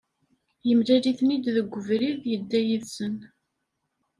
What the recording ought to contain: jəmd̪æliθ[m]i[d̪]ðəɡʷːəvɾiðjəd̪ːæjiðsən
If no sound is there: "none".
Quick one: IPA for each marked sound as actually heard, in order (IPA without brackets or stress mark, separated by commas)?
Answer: n, d̪